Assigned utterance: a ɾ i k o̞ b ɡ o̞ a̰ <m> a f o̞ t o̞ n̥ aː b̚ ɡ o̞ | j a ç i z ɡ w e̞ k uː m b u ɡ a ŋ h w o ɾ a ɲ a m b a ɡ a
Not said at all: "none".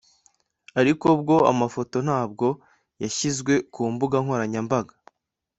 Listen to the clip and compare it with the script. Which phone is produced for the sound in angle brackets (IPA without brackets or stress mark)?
m